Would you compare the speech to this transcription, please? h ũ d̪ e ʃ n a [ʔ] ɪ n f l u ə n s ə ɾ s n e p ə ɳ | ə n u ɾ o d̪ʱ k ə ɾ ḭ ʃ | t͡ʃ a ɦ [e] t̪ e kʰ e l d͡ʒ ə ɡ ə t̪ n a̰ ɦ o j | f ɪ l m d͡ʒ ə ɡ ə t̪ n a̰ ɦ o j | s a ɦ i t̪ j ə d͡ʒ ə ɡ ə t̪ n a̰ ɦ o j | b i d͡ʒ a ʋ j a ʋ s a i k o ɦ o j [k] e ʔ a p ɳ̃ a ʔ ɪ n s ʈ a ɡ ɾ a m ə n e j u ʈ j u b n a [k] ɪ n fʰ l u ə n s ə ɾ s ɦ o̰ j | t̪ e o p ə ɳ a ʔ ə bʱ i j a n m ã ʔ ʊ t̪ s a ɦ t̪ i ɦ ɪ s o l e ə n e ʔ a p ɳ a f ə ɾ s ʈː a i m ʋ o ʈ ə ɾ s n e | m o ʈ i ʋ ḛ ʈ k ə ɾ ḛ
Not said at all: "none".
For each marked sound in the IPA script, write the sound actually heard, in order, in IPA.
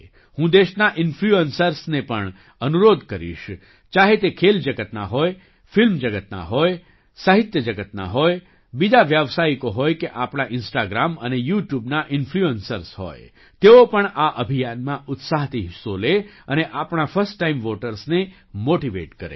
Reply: ʔ, e, k, ʔ

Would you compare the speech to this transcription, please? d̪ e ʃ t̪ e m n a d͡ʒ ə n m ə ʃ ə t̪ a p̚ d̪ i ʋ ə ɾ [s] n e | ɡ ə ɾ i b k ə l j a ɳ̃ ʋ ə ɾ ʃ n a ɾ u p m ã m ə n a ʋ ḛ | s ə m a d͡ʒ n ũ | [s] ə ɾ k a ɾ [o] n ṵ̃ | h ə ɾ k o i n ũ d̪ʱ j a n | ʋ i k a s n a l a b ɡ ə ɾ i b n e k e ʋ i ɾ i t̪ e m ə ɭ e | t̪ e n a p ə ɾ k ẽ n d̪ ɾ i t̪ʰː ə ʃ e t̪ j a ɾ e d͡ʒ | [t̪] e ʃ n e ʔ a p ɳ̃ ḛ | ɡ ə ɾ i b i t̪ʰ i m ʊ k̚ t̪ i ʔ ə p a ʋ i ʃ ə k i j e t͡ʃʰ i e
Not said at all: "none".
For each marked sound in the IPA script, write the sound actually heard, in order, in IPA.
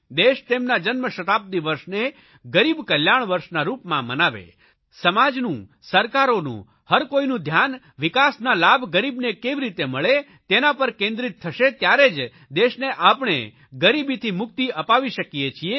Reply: ʃ, s, o, d̪

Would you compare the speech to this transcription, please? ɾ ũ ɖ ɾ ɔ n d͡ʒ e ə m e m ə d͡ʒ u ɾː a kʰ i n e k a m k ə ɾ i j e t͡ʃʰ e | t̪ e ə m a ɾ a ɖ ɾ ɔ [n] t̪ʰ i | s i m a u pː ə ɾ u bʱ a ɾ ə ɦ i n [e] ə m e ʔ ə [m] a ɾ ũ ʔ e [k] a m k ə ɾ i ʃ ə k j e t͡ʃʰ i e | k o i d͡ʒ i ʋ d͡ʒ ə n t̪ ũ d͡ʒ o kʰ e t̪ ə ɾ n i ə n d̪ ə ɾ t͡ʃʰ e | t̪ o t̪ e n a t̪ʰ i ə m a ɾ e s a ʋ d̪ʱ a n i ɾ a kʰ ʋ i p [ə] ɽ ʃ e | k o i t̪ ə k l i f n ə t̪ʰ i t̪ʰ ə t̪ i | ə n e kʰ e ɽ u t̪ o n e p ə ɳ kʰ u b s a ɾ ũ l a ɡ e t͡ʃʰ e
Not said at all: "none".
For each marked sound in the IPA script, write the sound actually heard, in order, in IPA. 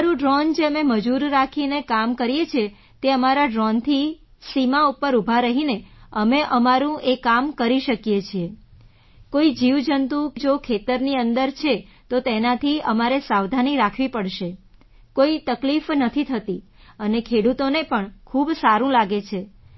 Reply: n, e, m, k, ə

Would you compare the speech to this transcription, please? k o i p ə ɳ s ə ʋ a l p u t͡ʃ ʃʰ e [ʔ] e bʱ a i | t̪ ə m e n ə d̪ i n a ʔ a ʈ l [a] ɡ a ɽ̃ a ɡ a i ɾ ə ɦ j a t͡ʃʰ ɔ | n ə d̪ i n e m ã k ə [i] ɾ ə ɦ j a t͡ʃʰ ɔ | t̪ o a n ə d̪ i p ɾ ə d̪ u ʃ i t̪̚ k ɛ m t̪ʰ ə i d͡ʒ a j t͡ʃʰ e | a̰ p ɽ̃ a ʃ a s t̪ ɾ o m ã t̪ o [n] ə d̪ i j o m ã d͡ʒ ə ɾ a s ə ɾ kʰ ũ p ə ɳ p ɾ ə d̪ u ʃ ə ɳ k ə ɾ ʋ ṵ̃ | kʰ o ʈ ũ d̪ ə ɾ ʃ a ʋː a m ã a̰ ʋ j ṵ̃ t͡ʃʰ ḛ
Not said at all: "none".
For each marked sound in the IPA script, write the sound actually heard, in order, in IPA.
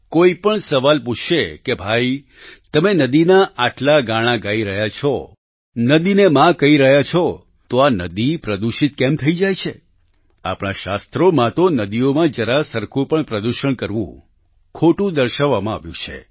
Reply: k, a, i, n

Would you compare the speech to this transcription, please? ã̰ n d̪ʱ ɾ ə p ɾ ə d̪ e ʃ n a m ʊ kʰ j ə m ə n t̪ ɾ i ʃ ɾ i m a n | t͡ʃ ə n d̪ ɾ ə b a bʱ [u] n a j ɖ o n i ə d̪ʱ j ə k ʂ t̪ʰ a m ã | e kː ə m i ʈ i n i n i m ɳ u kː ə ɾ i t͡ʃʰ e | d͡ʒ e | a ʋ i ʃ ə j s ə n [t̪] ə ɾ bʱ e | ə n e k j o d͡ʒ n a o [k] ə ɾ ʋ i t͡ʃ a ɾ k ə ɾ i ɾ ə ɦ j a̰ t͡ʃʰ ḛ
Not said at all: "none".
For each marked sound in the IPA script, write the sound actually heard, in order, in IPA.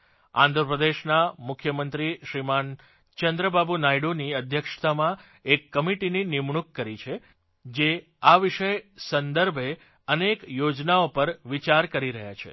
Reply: u, d̪, p

